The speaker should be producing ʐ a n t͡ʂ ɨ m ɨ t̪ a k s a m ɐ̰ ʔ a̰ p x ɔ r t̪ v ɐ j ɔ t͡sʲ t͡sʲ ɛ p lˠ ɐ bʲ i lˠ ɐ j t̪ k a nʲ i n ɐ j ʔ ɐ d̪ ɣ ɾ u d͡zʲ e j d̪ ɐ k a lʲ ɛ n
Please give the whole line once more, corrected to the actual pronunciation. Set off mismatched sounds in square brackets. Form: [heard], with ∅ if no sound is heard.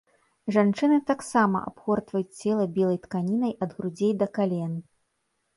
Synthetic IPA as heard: ʐ a n t͡ʂ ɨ [n] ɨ t̪ a k s a m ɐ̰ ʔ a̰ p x ɔ r t̪ v ɐ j [u] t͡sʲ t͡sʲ ɛ [∅] lˠ ɐ bʲ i lˠ ɐ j t̪ k a nʲ i n ɐ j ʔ ɐ d̪ ɣ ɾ u d͡zʲ e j d̪ ɐ k a lʲ ɛ n

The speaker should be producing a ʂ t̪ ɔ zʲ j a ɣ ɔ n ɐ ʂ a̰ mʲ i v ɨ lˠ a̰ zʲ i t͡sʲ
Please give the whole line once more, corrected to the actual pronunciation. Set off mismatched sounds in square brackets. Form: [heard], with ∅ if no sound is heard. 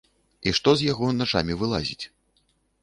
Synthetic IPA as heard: [i] ʂ t̪ ɔ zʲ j a ɣ ɔ n [a] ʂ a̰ mʲ i v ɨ lˠ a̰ zʲ i t͡sʲ

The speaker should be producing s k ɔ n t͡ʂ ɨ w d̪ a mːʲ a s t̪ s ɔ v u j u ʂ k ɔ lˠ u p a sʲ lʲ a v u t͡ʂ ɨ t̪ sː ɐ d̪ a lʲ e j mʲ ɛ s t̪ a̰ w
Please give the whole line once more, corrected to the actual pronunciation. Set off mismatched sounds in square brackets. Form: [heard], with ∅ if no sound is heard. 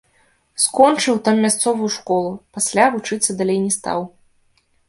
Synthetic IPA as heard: s k ɔ n t͡ʂ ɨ w [t̪] a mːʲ a s t̪ s ɔ v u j u ʂ k ɔ lˠ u p a sʲ lʲ a v u t͡ʂ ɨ t̪ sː ɐ d̪ a lʲ e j [nʲ] ɛ s t̪ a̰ w

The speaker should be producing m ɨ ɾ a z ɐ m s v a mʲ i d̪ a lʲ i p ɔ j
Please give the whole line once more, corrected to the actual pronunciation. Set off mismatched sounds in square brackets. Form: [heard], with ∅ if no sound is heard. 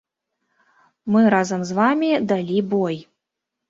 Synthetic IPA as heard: m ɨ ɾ a z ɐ m [z] v a mʲ i d̪ a lʲ i [b] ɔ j

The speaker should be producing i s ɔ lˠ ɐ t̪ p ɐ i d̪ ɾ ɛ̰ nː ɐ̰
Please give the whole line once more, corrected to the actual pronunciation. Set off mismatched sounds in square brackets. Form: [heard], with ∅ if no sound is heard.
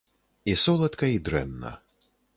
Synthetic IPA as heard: i s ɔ lˠ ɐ t̪ [k] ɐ i d̪ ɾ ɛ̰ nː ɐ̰

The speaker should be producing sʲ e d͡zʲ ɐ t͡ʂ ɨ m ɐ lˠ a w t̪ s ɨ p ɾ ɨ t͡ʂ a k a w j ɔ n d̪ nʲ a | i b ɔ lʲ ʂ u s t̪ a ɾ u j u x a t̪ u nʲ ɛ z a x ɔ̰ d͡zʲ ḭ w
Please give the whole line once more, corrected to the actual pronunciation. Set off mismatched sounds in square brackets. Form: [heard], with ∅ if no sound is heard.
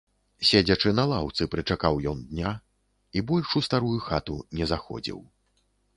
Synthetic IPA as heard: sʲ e d͡zʲ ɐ t͡ʂ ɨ [n] ɐ lˠ a w t̪ s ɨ p ɾ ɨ t͡ʂ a k a w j ɔ n d̪ nʲ a | i b ɔ lʲ ʂ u s t̪ a ɾ u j u x a t̪ u nʲ ɛ z a x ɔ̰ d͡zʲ ḭ w

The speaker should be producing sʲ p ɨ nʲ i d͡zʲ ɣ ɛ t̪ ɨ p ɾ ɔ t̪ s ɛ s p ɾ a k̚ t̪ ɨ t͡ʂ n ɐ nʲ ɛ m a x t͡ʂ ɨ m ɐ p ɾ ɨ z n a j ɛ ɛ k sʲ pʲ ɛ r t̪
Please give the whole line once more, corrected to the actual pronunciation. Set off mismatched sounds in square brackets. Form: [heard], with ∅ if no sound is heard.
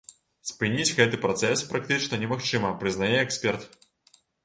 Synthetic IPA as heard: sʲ p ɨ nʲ i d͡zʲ ɣ ɛ t̪ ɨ p ɾ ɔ t̪ s ɛ s p ɾ a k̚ t̪ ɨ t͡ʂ n ɐ nʲ ɛ m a x t͡ʂ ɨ m ɐ p ɾ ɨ z n a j ɛ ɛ k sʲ pʲ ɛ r t̪

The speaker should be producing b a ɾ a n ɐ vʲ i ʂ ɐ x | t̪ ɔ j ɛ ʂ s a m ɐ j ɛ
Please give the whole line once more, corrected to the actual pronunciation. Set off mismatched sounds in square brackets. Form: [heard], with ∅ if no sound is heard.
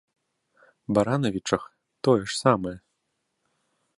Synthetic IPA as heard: b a ɾ a n ɐ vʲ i [t͡ʂ] ɐ x | t̪ ɔ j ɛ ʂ s a m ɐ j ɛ

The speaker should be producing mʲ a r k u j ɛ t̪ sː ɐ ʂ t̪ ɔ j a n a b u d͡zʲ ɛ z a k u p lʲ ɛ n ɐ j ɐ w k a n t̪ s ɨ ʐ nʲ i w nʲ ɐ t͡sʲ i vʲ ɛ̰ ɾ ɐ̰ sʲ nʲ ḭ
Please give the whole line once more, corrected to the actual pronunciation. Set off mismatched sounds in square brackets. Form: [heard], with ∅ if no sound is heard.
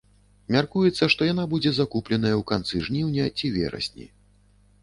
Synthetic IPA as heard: mʲ a r k u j ɛ t̪ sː ɐ ʂ t̪ ɔ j a n a b u d͡zʲ ɛ z a k u p lʲ ɛ n ɐ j ɐ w k a n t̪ s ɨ ʐ nʲ i w nʲ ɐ t͡sʲ i vʲ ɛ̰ ɾ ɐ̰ sʲ nʲ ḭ

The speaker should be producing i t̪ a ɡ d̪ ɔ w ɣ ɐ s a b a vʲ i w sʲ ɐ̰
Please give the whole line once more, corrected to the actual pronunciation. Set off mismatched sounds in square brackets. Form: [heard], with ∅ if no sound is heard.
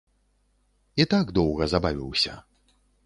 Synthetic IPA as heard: i t̪ a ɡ d̪ ɔ w ɣ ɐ [z] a b a vʲ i w sʲ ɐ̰

